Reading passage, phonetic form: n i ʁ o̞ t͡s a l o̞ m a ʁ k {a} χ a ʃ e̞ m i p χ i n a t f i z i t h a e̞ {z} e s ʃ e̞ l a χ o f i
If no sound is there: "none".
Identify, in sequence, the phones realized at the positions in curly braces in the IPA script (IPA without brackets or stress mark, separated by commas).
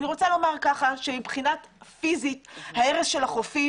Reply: a, ʁ